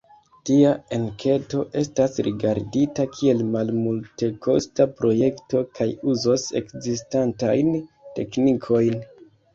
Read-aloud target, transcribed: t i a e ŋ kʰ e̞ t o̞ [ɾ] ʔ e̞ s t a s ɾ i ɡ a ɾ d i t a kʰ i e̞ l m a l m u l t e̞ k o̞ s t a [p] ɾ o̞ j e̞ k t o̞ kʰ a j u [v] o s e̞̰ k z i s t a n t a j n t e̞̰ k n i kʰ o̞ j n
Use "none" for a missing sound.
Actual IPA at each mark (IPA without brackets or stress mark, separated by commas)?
none, p, z